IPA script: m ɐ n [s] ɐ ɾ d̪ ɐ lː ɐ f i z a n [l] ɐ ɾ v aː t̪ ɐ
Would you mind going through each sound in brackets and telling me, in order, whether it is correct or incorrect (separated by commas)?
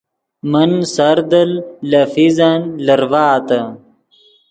correct, correct